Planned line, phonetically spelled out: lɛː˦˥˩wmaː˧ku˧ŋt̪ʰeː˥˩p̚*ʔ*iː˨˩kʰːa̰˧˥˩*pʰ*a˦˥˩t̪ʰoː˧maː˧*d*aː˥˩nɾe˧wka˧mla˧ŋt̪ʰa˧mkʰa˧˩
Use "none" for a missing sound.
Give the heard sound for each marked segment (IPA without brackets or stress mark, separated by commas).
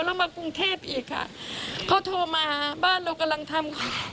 ʔ, kʰ, b